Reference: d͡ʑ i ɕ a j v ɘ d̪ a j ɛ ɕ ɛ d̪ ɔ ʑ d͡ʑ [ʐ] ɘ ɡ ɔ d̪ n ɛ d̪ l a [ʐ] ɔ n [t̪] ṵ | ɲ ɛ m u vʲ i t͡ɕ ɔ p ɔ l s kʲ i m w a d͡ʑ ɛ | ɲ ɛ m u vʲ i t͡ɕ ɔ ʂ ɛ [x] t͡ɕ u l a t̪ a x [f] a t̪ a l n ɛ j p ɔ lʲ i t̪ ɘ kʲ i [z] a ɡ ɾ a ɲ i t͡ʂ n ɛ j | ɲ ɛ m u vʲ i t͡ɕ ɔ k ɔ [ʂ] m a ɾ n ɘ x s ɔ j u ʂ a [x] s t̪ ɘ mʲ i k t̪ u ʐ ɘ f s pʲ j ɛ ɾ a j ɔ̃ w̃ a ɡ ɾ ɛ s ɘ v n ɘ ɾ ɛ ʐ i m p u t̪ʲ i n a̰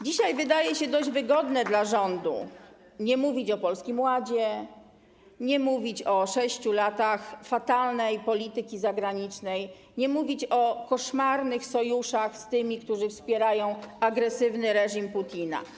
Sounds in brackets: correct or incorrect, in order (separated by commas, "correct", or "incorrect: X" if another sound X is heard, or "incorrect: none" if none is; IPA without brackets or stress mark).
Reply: incorrect: v, correct, incorrect: d̪, incorrect: ɕ, correct, correct, correct, correct